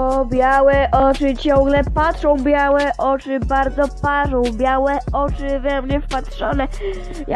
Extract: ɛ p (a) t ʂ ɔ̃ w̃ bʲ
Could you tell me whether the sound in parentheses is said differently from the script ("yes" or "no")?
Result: no